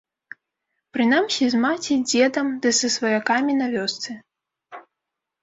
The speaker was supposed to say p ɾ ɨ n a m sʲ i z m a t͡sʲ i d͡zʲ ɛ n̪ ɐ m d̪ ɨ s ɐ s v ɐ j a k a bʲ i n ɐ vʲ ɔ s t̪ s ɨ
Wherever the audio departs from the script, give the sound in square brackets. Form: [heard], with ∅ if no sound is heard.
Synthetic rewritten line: p ɾ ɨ n a m sʲ i z m a t͡sʲ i d͡zʲ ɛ [d̪] ɐ m d̪ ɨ s ɐ s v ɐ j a k a [mʲ] i n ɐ vʲ ɔ s t̪ s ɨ